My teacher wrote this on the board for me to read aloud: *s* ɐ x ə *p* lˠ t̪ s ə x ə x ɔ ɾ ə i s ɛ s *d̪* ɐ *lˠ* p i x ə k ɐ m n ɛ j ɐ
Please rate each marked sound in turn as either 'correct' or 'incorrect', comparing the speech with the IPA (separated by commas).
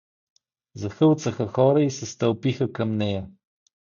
incorrect, incorrect, incorrect, correct